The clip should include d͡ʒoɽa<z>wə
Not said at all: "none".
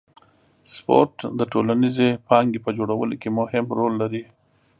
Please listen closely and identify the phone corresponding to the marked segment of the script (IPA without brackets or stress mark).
none